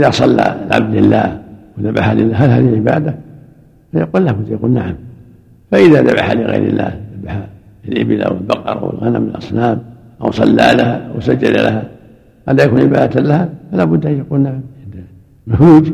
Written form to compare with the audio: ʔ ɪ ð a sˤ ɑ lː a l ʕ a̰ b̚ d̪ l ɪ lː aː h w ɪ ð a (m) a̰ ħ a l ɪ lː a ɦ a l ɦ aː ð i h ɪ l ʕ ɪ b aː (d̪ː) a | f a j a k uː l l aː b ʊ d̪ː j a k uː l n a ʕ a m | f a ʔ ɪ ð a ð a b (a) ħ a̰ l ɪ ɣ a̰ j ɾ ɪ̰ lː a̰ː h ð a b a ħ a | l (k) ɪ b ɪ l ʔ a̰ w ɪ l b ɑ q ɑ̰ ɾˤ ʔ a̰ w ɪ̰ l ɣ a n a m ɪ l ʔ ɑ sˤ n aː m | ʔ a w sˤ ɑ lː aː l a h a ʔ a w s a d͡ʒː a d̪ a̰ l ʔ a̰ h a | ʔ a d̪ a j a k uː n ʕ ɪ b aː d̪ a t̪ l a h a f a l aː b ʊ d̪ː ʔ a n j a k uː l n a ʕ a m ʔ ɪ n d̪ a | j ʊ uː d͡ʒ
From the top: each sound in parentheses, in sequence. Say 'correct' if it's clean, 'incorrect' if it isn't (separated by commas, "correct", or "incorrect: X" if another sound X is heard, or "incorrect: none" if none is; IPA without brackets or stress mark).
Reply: incorrect: b, incorrect: d̪, correct, incorrect: ʔ